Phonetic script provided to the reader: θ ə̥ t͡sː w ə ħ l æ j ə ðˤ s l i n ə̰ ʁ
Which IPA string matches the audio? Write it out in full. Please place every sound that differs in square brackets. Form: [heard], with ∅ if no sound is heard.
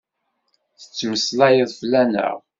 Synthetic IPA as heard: θ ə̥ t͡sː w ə [s] l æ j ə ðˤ [f] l [æ] n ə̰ ʁ